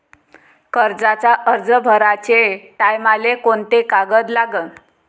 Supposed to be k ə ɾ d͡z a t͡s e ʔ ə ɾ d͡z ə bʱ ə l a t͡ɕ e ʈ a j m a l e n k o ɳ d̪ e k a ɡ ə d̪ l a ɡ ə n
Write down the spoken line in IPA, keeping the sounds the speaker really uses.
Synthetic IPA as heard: k ə ɾ d͡z a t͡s a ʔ ə ɾ d͡z ə bʱ ə ɾ a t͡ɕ e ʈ a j m a l e k o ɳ t̪ e k a ɡ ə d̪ l a ɡ ə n